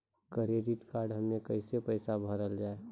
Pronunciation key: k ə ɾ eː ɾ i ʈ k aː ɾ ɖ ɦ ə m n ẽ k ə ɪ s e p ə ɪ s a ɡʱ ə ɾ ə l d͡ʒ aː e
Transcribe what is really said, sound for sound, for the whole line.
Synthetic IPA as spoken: k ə ɾ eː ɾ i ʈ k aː ɾ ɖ ɦ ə m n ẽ k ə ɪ s e p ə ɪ s a bʱ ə ɾ ə l d͡ʒ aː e